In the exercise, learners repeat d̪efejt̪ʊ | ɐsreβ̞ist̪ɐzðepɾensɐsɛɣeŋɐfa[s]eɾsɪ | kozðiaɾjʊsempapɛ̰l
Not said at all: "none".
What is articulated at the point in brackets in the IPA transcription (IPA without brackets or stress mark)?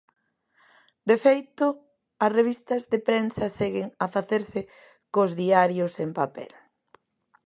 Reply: θ